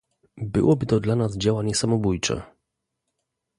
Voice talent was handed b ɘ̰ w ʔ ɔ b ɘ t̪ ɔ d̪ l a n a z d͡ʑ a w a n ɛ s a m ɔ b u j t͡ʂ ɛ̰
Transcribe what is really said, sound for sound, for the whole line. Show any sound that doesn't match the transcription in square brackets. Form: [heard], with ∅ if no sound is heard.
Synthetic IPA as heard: b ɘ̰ w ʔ ɔ b ɘ t̪ ɔ d̪ l a n a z d͡ʑ a w a [ɲ] ɛ s a m ɔ b u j t͡ʂ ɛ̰